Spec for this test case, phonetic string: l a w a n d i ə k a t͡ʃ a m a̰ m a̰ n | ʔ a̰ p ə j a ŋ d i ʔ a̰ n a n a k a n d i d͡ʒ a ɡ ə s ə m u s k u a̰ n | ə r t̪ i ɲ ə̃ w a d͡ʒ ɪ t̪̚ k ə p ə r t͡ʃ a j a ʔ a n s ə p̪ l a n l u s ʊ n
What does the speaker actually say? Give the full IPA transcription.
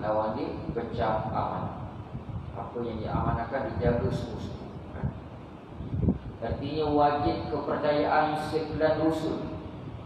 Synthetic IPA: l a w a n d i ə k ə t͡ʃ a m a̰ m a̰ n | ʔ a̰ p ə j a ŋ d i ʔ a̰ m a n a k a n d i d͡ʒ a ɡ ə s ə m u s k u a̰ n | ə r t̪ i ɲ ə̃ w a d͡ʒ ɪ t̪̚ k ə p ə r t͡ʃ a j a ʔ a n s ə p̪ l a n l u s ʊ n